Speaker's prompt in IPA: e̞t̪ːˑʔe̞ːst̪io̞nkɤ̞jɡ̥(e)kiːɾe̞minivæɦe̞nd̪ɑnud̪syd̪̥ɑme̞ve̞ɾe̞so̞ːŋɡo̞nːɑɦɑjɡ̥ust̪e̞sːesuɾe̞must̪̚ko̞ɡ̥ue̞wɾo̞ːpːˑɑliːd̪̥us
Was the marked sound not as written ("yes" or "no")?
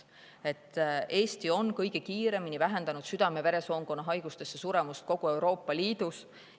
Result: no